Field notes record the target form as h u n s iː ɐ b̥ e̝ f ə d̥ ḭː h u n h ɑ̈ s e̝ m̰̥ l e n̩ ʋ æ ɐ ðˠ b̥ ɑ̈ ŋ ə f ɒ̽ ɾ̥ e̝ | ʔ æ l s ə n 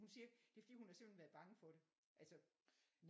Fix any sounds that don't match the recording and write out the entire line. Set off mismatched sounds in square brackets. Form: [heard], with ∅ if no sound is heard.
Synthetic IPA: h u n s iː ɐ [d̥] e̝ f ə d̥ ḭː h u n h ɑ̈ s e̝ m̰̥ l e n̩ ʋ æ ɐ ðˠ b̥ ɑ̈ ŋ ə f ɒ̽ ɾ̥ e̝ | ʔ æ l s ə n